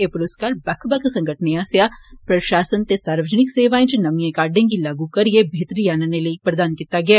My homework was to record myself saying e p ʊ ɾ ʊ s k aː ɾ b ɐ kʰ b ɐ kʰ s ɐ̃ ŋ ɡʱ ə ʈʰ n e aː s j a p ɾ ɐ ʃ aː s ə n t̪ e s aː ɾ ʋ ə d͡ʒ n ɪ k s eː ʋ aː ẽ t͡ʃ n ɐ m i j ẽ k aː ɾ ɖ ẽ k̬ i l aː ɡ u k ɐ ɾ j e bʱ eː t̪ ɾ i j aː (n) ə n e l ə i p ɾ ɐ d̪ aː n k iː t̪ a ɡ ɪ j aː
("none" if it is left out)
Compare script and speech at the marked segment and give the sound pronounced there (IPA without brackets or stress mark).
n